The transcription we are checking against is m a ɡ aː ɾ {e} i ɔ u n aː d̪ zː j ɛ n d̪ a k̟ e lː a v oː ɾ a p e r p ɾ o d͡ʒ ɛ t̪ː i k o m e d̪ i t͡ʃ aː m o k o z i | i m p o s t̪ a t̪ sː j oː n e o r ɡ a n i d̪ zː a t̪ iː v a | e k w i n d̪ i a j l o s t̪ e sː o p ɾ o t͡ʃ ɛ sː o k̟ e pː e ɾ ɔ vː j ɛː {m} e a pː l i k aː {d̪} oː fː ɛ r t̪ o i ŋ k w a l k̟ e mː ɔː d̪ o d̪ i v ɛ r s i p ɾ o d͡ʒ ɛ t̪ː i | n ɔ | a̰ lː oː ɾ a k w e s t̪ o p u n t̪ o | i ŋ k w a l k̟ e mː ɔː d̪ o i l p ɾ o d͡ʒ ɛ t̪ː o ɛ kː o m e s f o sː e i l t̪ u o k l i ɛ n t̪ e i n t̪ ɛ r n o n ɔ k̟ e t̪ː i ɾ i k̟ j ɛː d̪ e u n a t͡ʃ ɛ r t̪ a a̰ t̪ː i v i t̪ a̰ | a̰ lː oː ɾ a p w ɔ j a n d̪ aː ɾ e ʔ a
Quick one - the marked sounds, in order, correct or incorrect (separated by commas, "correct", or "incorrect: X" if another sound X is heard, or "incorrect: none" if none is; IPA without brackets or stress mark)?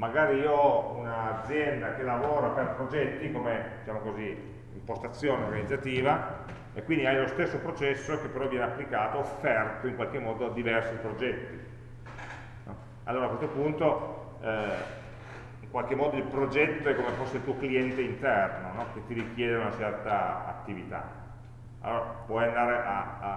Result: incorrect: i, incorrect: n, incorrect: t̪